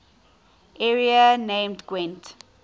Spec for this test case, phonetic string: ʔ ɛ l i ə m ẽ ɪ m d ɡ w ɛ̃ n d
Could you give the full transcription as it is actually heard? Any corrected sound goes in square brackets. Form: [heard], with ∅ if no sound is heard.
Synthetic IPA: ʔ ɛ [ɹ] i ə [n] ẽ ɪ m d ɡ w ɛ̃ n [t]